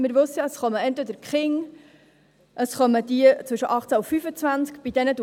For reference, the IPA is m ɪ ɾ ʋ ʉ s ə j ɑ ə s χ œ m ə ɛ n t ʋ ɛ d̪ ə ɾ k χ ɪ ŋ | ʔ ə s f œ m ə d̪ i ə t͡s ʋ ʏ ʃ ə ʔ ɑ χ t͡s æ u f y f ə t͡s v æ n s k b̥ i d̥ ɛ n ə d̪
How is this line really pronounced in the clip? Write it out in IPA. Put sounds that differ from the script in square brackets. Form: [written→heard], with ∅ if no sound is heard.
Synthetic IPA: m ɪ ɾ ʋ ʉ s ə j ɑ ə s χ œ m ə ɛ n t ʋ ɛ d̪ ə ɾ k χ ɪ ŋ | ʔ ə s [f→χ] œ m ə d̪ i ə t͡s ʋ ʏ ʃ ə ʔ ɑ χ t͡s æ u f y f ə t͡s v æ n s k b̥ i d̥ ɛ n ə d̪